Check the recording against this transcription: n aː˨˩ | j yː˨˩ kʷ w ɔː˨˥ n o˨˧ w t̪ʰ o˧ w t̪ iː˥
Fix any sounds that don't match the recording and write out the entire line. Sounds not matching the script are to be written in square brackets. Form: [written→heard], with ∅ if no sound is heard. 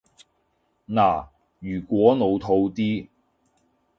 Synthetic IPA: n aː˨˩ | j yː˨˩ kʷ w ɔː˨˥ n o˨˧ w t̪ʰ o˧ w t̪ iː˥